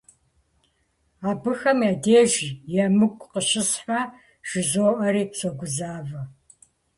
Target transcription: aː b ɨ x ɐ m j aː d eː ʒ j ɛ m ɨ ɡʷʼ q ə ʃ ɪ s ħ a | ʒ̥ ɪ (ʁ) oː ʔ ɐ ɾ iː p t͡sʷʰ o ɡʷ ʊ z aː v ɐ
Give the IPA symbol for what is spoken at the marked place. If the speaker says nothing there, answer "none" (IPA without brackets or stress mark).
z